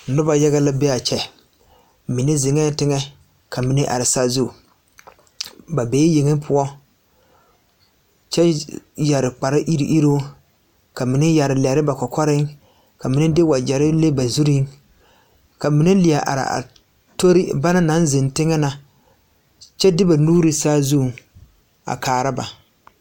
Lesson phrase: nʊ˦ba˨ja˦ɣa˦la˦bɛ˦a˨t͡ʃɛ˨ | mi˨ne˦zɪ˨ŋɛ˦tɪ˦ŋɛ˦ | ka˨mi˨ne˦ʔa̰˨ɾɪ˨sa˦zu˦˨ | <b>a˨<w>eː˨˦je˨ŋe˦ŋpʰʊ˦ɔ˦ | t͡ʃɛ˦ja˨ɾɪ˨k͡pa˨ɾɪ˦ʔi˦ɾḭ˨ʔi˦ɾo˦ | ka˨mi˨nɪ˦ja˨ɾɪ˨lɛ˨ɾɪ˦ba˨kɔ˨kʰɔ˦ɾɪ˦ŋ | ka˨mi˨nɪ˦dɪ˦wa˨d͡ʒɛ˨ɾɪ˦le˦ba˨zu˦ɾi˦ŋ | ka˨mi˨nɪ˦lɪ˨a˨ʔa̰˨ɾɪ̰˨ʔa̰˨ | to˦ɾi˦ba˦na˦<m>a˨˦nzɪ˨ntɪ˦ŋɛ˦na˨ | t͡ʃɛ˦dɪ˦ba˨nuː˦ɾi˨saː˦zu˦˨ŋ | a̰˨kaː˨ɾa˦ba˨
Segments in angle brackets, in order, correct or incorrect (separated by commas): correct, incorrect, incorrect